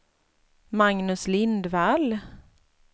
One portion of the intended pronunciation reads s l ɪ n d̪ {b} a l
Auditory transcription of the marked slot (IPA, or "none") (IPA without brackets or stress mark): v